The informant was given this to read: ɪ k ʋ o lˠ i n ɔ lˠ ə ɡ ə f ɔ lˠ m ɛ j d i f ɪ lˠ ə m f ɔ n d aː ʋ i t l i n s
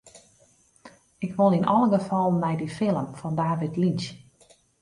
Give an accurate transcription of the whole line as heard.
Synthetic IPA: ɪ k ʋ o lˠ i n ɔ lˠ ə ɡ ə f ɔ lˠ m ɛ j d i f ɪ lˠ ə m f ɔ n d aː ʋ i t l i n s

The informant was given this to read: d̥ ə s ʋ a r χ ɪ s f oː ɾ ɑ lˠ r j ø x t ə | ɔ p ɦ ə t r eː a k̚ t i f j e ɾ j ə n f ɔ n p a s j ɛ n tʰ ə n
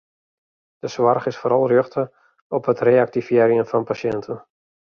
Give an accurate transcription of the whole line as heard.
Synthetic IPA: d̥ ə s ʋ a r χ ɪ s f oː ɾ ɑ lˠ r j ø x t ə | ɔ p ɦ ə t r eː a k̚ t i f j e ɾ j ə n f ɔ n p a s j ɛ n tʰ ə n

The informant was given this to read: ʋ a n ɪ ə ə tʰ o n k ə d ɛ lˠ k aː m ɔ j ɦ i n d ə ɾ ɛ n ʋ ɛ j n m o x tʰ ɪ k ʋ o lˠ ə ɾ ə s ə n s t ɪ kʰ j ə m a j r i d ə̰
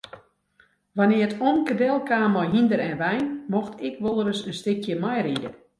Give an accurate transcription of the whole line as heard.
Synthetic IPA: ʋ a n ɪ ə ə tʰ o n k ə d ɛ lˠ k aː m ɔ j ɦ i n d ə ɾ ɛ n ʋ ɛ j n m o x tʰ ɪ k ʋ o lˠ ə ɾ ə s ə n s t ɪ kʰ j ə m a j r i d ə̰

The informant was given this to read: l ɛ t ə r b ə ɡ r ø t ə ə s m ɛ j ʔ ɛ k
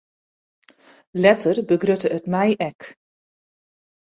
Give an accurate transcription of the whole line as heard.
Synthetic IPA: l ɛ t ə r b ə ɡ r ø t ə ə t m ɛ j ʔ ɛ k

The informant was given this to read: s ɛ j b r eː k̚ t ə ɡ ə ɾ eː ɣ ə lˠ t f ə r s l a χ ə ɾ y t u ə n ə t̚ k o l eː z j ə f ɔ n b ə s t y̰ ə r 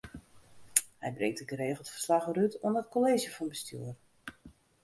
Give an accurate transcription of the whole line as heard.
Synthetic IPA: h ɛ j b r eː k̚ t ə ɡ ə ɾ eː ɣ ə lˠ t f ə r s l a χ ə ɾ y t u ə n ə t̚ k o l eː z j ə f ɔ n b ə s t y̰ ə r

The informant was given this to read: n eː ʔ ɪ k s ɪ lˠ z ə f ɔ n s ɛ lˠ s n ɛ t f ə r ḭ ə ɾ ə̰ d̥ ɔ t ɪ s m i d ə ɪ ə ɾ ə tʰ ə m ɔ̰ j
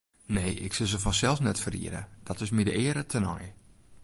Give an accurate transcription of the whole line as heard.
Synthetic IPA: n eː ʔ ɪ k s ɪ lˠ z ə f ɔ n s ɛ lˠ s n ɛ t f ə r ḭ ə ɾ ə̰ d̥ ɔ t ɪ s m i d ə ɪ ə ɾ ə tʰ ə n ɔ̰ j

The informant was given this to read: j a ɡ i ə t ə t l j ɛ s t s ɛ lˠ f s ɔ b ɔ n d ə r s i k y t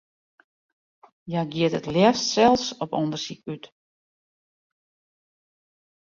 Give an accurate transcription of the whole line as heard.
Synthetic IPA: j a ɡ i ə t ə t l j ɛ s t s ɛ lˠ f s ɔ p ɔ n d ə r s i k y t

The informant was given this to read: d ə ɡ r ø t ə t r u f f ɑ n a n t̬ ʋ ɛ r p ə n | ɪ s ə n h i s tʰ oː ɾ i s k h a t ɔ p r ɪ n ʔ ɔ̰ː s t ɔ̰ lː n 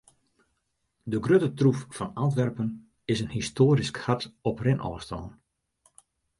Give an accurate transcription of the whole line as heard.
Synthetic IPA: d ə ɡ r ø t ə t r u f f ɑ n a n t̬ ʋ ɛ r p ə n | ɪ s ə n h i s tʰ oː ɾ i s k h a t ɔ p r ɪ n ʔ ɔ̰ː s t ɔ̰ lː n

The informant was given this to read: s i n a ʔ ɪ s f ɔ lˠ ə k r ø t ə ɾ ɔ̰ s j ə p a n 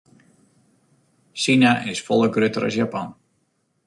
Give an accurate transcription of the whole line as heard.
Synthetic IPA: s i n a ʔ ɪ s f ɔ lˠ ə ɡ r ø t ə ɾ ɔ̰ s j a p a n

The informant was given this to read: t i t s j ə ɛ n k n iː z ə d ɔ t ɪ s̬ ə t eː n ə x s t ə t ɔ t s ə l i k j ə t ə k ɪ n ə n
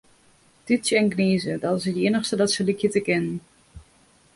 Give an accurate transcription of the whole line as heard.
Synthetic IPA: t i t s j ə ɛ n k n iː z ə d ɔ t ɪ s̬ ə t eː n ə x s t ə d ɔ t s ə l i k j ə t ə k ɪ n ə n

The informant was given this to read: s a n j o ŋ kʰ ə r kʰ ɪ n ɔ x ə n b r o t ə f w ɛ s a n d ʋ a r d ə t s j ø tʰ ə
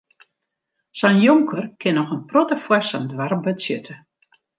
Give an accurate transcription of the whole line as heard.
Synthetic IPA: s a n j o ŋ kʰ ə r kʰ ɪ n ɔ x ə n p r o t ə f w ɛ s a n d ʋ a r b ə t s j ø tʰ ə

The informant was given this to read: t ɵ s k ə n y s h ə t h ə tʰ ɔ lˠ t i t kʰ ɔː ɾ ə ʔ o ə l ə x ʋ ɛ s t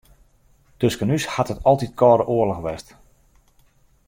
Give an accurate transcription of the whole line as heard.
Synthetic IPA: t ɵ s k ə n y s h a t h ə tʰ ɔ lˠ t i t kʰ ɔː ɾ ə ʔ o ə l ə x ʋ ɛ s t

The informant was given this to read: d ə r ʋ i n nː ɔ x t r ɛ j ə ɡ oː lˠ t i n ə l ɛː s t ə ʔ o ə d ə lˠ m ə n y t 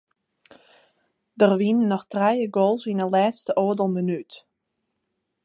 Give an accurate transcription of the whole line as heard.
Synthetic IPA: d ə r ʋ i n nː ɔ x t r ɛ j ə ɡ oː lˠ s i n ə l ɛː s t ə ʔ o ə d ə lˠ m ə n y t

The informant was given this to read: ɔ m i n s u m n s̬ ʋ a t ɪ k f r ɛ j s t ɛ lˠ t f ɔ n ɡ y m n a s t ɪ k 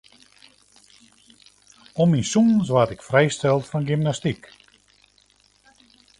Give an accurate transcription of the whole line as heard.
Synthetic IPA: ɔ m i n s u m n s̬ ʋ a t ɪ k f r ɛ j s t ɛ lˠ t f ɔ n ɡ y m n a s t i k

